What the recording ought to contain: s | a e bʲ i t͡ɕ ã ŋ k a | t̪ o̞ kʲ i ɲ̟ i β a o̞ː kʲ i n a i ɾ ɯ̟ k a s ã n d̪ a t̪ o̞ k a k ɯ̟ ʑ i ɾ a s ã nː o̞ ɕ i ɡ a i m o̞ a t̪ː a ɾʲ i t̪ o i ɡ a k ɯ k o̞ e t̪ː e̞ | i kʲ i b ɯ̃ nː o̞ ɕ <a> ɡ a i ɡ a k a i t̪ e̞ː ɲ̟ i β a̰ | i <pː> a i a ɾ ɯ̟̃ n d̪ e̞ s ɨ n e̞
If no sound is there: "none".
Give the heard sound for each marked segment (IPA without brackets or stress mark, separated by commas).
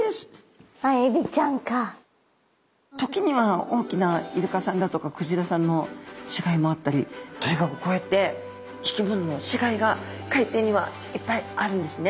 i, pː